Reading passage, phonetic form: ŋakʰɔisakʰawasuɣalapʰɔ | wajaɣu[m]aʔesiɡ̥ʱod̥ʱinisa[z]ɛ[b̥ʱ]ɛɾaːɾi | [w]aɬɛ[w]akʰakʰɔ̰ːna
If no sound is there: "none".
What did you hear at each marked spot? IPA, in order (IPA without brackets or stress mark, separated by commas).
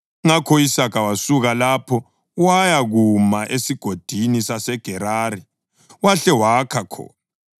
m, s, ɡ̥ʱ, w, w